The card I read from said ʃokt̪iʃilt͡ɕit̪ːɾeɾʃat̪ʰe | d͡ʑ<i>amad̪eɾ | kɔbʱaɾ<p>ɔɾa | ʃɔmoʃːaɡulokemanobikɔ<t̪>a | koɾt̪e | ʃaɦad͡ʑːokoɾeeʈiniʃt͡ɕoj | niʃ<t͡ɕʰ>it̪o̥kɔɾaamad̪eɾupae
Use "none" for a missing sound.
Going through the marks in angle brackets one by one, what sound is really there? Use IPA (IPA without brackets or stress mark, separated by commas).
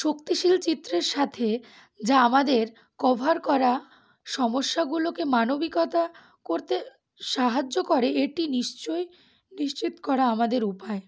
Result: a, k, t̪, t͡ɕ